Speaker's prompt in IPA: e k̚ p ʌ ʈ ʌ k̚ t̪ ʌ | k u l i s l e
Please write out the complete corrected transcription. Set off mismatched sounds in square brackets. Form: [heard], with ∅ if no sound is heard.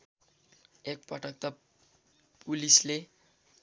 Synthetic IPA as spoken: e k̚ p ʌ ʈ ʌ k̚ t̪ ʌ | [p] u l i s l e